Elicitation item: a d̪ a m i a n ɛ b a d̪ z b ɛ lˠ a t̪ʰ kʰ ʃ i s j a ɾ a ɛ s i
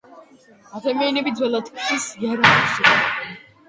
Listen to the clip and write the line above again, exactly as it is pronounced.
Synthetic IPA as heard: a d̪ a m i a n ɛ b i d̪ z w ɛ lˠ a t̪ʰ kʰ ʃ i s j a ɾ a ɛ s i